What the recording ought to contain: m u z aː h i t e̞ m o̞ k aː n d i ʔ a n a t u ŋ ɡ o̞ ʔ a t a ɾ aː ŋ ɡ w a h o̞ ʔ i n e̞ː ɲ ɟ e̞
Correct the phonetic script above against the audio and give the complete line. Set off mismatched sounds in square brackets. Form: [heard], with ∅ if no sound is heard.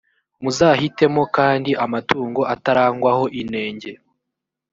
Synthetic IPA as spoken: m u z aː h i t e̞ m o̞ k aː n d i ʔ a [m] a t [uː] ŋ ɡ o̞ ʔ a t a ɾ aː ŋ ɡ w a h o̞ ʔ i n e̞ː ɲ ɟ e̞

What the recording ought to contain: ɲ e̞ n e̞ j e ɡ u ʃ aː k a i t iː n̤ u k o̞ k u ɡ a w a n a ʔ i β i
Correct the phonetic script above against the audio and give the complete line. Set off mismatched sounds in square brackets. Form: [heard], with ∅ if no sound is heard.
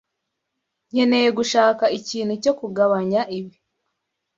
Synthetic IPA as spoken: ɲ e̞ n e̞ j e ɡ u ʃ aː k a i [c] iː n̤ u [c] o̞ k u ɡ a [β] a [ɲ] a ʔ i β i

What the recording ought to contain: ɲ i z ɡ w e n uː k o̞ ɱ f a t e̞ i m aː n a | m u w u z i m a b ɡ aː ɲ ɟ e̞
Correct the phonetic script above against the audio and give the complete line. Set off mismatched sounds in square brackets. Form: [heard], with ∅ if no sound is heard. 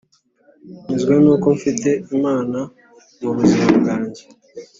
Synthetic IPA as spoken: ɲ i z ɡ w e n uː k o̞ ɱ f [i] t e̞ i m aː n a | m u [β] u z i m a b ɡ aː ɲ ɟ e̞

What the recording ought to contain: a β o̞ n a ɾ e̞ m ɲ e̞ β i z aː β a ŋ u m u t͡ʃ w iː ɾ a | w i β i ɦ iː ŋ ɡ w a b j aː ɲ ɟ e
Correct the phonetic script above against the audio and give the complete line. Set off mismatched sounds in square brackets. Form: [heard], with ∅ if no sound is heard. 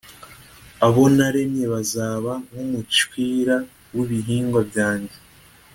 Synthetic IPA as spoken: a β o̞ n a ɾ e̞ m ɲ e̞ β [a] z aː β a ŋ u m u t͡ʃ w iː ɾ a | w i β i ɦ iː ŋ ɡ w a b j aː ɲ ɟ e

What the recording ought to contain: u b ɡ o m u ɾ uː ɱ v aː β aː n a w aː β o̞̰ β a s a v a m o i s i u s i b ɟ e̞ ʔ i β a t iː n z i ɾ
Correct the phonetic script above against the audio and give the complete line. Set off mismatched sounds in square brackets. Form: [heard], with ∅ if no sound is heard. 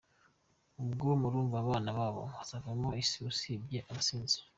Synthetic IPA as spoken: u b ɡ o m u ɾ uː ɱ v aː β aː n a [β] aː β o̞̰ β a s a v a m o i s i u s i b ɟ e̞ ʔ [a] β a [s] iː n z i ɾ

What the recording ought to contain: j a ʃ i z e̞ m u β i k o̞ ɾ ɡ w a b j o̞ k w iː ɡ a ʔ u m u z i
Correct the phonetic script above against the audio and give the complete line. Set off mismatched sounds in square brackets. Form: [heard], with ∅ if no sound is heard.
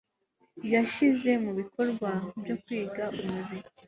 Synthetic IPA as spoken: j a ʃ i z e̞ m u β i k o̞ ɾ ɡ w a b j o̞ k w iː ɡ a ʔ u m u z i

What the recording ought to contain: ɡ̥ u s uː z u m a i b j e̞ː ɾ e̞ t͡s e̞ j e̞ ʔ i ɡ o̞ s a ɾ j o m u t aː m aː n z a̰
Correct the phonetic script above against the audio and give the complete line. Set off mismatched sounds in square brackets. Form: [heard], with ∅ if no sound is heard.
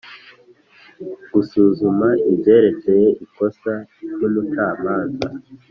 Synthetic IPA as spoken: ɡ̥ u s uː z u m a i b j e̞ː ɾ e̞ t͡s e̞ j e̞ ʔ i [k] o̞ s a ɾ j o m u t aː m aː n z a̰

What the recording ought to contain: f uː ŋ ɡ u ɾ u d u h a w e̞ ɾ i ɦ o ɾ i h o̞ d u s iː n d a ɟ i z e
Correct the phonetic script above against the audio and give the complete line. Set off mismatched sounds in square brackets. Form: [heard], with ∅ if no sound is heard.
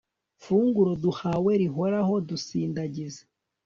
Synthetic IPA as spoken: f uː ŋ ɡ u ɾ [o] d u h a w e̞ ɾ i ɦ o ɾ [a] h o̞ d u s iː n d a ɟ i z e

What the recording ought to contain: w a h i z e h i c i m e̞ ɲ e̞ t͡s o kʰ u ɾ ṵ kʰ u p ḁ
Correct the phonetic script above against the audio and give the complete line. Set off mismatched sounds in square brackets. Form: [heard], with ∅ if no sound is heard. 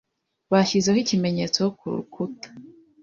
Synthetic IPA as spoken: [β] a [ʃ] i z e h i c i m e̞ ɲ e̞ t͡s o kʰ u ɾ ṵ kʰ u [t] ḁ

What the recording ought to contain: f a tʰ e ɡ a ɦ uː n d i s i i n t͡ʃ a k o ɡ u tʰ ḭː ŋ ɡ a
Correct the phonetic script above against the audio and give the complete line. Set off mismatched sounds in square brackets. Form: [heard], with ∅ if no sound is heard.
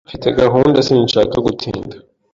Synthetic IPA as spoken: f [i] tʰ e ɡ a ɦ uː n d [a] s i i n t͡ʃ a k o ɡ u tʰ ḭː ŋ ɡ a

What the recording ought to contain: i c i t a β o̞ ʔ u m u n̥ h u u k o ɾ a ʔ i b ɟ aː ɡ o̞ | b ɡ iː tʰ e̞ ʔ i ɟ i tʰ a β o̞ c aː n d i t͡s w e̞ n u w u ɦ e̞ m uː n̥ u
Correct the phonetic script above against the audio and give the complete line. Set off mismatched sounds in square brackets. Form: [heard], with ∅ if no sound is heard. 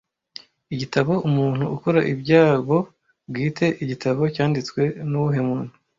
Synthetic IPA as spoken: i [ɟ] i t a β o̞ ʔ u m [uː] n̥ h u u k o ɾ a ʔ i b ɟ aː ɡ o̞ | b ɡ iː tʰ e̞ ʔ i ɟ i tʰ a β o̞ c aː n d i t͡s w e̞ n u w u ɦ e̞ m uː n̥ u

